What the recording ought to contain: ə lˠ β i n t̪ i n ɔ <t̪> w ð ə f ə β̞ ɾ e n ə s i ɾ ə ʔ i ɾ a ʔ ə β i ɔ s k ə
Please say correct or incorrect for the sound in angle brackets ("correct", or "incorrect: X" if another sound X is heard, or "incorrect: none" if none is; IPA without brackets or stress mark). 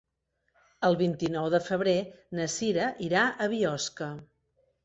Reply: incorrect: none